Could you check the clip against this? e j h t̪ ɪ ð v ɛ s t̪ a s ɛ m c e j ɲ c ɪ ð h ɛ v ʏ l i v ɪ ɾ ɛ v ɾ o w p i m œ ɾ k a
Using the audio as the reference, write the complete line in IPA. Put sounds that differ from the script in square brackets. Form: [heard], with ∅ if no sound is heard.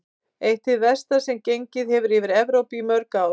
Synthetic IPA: e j h t̪ ɪ ð v ɛ s t̪ a s ɛ m c e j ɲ c ɪ ð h ɛ v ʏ [ɾ] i v ɪ ɾ ɛ v ɾ o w p i m œ ɾ k a